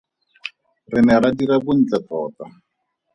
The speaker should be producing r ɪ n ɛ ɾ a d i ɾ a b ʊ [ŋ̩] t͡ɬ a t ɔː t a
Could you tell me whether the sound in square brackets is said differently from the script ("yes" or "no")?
yes